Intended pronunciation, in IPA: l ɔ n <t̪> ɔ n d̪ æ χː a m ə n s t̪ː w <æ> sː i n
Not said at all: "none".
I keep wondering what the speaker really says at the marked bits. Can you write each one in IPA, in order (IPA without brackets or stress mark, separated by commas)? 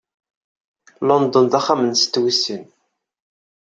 d̪, i